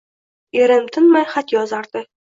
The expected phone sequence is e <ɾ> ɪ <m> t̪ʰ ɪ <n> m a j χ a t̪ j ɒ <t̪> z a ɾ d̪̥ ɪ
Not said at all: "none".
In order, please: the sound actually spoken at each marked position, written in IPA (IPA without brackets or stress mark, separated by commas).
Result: ɾ, m, n, none